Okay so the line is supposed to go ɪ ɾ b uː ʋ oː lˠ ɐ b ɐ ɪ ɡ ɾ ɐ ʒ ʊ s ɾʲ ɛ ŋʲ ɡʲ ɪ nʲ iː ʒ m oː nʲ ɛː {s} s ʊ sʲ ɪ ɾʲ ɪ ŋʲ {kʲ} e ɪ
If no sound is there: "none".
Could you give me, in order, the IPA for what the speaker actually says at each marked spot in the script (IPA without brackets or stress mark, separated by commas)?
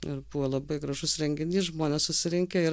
s, kʲ